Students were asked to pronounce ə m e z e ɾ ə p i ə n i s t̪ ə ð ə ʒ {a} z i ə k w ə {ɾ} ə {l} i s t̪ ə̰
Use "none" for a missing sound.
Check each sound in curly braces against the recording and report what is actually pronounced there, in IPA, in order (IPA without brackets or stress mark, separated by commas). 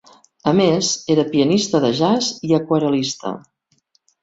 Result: a, ɾ, l